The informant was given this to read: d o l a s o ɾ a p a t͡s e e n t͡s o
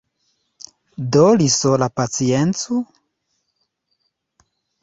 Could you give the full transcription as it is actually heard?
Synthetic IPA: d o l i s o l a p a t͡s i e n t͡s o